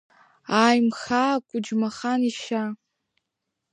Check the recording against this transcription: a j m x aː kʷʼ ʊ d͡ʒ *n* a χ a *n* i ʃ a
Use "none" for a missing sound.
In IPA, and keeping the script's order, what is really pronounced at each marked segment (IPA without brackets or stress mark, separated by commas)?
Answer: m, n